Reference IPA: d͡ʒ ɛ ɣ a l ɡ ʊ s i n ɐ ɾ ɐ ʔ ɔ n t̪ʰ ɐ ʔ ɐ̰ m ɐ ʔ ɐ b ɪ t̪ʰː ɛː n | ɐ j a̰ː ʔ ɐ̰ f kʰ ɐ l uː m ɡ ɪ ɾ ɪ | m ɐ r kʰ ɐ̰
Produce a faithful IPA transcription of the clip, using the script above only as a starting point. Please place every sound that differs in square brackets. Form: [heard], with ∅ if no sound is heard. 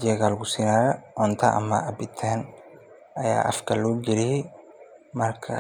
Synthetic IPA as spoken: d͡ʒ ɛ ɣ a l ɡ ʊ s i n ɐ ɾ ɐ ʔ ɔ n t̪ʰ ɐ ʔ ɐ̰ m ɐ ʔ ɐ b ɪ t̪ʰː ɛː n | ɐ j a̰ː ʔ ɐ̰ f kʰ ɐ l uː [∅] ɡ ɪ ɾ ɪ | m ɐ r kʰ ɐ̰

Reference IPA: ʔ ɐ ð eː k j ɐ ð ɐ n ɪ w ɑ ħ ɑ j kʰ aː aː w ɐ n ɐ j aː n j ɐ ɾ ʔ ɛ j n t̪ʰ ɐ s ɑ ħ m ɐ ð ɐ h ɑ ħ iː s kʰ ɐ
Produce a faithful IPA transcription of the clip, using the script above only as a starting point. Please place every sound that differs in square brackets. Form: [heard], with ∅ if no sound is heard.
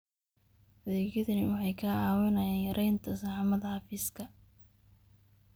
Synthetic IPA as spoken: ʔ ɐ ð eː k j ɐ ð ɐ n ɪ w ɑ ħ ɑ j kʰ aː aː w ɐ n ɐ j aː n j ɐ ɾ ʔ ɛ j n t̪ʰ ɐ s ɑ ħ m ɐ ð ɐ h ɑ [f] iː s kʰ ɐ

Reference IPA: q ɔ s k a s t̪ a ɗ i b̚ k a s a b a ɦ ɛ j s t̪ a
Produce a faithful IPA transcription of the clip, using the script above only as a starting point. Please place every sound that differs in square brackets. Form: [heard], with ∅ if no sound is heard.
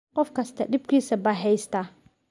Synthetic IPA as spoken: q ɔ [f] k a s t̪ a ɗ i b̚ k [i] s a b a ɦ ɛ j s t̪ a

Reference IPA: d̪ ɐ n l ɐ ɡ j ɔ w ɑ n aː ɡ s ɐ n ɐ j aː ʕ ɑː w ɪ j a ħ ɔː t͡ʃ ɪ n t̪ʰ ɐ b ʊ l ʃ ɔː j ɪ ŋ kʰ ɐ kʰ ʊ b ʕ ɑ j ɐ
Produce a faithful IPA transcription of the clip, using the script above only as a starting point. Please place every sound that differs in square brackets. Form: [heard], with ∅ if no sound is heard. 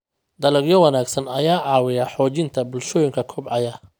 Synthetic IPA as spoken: d̪ ɐ [∅] l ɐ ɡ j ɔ w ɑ n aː ɡ s ɐ n ɐ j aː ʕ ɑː w ɪ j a ħ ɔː t͡ʃ ɪ n t̪ʰ ɐ b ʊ l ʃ ɔː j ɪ ŋ kʰ ɐ kʰ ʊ b ʕ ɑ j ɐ

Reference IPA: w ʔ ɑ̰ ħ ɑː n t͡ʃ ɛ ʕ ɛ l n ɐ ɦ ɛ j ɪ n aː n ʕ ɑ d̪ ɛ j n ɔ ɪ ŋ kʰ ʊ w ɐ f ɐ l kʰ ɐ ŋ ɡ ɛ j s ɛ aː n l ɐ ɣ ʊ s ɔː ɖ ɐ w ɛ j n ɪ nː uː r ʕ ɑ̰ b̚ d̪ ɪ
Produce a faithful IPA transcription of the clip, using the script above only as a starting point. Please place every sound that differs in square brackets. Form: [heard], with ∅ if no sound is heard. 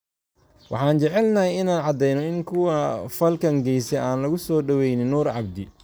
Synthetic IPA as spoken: w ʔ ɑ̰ ħ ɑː n t͡ʃ ɛ ʕ ɛ l n ɐ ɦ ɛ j ɪ n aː n ʕ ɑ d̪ ɛ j n ɔ ɪ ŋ kʰ ʊ w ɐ f ɐ l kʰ ɐ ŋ ɡ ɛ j s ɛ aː n l ɐ ɣ ʊ s ɔː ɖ ɐ w ɛ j n ɪ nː uː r ʕ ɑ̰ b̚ d̪ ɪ

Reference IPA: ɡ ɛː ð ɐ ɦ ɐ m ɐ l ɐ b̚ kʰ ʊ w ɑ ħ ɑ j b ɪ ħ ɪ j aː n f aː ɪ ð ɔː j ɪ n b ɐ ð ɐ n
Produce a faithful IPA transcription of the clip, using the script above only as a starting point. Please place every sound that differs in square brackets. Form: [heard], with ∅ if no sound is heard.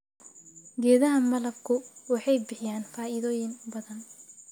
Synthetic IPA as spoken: ɡ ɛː ð ɐ ɦ ɐ m ɐ l ɐ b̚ kʰ ʊ w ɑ ħ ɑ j b ɪ ħ ɪ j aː n f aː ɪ ð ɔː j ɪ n b ɐ ð ɐ n

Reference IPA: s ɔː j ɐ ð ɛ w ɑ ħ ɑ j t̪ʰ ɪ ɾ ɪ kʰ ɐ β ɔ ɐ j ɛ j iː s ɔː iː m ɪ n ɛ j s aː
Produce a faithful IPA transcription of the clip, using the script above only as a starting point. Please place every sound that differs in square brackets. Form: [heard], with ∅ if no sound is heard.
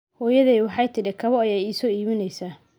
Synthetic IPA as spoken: [h] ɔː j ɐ ð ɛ w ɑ ħ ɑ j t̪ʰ ɪ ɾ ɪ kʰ ɐ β ɔ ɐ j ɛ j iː s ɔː iː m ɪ n ɛ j s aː

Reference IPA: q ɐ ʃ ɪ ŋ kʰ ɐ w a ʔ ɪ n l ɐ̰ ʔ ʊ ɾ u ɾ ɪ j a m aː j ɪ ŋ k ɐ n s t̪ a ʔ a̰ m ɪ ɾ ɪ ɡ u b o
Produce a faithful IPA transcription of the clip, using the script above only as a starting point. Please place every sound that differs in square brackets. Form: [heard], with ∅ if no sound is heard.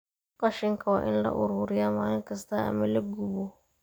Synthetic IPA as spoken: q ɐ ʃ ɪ ŋ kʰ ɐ w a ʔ ɪ n l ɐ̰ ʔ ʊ ɾ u ɾ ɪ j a m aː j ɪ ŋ k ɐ [∅] s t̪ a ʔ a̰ m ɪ [l] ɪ ɡ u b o

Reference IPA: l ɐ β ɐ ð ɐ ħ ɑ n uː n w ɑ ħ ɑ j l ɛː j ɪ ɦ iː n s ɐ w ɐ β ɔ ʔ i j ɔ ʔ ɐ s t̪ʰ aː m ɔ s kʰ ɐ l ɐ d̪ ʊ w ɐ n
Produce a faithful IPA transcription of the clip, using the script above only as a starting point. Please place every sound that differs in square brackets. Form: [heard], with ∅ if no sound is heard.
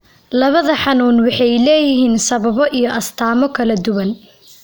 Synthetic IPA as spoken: l ɐ β ɐ ð ɐ ħ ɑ n uː n w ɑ ħ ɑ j l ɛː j ɪ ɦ iː n s ɐ [β] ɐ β ɔ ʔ i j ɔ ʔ ɐ s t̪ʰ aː m ɔ [∅] kʰ ɐ l ɐ d̪ ʊ w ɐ n

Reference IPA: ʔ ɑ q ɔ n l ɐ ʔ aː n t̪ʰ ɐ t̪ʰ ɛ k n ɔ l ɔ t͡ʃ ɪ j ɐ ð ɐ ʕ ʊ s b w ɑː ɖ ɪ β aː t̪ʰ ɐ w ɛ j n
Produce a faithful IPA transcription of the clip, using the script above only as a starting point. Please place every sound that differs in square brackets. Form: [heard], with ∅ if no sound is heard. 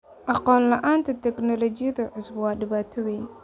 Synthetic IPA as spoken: ʔ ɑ q [ɔː] n l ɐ ʔ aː n t̪ʰ ɐ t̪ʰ ɛ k n ɔ l ɔ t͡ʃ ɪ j ɐ ð ɐ ʕ ʊ s b w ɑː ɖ ɪ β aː t̪ʰ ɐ w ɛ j n

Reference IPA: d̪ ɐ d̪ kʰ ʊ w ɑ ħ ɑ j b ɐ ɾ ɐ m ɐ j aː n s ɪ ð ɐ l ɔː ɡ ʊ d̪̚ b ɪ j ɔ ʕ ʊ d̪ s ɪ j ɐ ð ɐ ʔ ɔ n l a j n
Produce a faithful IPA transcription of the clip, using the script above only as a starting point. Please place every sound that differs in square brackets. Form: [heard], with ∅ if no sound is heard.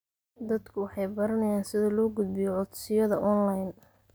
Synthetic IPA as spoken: d̪ ɐ d̪ kʰ ʊ w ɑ ħ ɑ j b ɐ ɾ ɐ [n] ɐ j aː n s ɪ ð ɐ l ɔː ɡ ʊ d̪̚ b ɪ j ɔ ʕ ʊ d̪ s ɪ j ɐ ð ɐ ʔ ɔ n l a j n

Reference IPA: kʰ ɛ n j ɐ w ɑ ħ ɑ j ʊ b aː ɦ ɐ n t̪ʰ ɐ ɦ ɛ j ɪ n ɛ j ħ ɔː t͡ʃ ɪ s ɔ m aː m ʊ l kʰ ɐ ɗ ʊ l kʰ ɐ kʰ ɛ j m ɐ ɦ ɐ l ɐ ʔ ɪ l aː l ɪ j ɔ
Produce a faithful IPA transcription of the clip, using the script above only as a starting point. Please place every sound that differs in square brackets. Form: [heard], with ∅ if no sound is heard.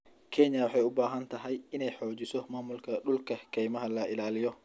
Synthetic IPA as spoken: kʰ ɛ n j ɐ w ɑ ħ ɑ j ʊ b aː ɦ ɐ n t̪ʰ ɐ ɦ ɛ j ɪ n ɛ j ħ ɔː t͡ʃ ɪ s ɔ m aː m ʊ l kʰ ɐ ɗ ʊ l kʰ ɐ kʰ ɛ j m ɐ ɦ ɐ l ɐ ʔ ɪ l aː l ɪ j ɔ

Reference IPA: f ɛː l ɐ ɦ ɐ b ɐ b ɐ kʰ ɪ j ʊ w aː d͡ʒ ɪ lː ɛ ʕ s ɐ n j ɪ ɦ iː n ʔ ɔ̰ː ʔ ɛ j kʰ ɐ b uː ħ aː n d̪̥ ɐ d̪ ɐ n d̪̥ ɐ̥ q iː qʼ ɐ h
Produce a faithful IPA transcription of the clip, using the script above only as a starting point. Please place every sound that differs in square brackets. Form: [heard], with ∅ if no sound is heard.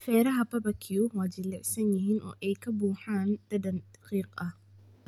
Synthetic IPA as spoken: f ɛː [ɾ] ɐ ɦ ɐ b ɐ b ɐ kʰ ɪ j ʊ w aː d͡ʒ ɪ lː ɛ ʕ s ɐ n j ɪ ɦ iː n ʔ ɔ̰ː ʔ ɛ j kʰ ɐ b uː ħ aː n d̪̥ ɐ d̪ ɐ n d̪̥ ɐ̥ q iː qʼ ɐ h

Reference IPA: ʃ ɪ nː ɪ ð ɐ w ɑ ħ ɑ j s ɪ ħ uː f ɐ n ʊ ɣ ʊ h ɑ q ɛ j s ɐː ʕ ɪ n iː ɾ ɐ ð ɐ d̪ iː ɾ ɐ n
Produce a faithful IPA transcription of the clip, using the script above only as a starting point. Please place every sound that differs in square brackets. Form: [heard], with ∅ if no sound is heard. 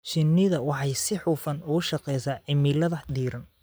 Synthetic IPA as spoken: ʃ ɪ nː ɪ ð ɐ w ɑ ħ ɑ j s ɪ ħ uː f ɐ n ʊ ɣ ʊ [ʃ] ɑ q ɛ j s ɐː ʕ ɪ [m] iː [l] ɐ ð ɐ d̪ iː ɾ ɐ n

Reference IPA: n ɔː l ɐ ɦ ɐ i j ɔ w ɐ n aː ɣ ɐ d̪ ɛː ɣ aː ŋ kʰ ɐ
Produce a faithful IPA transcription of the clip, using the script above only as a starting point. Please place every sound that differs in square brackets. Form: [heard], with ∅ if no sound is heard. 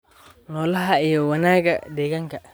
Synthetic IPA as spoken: n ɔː l ɐ ɦ ɐ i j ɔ w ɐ n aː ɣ ɐ d̪ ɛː ɣ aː ŋ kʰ ɐ

